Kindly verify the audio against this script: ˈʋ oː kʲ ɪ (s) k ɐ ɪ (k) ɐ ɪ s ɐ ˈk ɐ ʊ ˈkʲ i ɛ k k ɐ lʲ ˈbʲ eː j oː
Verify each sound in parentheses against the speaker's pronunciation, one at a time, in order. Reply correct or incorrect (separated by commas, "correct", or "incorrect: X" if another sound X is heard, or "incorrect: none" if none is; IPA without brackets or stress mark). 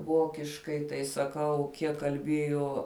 incorrect: ʃ, incorrect: t